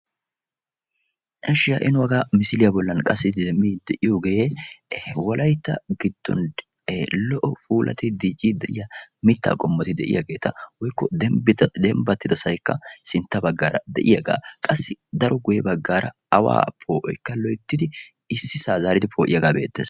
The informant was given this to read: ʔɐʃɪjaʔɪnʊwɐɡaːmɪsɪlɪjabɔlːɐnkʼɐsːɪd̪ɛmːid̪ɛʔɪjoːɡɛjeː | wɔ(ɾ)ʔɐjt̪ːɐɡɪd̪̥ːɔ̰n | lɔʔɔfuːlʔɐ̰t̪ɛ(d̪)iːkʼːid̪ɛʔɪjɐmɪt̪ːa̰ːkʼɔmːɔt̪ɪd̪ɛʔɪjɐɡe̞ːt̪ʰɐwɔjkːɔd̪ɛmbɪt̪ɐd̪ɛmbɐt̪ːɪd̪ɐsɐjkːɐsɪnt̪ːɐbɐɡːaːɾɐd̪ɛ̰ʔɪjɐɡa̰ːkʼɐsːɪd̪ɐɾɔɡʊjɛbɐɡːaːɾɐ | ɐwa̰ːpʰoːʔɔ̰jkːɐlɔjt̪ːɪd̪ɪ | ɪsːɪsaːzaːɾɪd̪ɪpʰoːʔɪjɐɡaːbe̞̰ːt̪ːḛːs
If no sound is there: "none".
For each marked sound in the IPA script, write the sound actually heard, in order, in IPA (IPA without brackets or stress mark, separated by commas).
l, d̪